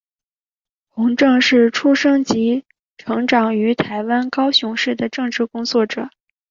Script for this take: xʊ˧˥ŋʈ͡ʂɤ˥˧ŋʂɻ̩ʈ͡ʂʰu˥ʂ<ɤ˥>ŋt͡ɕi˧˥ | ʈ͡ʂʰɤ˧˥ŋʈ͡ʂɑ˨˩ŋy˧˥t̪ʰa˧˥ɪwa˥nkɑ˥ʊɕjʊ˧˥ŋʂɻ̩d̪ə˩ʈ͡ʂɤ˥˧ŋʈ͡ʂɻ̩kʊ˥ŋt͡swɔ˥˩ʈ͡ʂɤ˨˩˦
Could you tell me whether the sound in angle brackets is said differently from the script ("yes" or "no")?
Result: no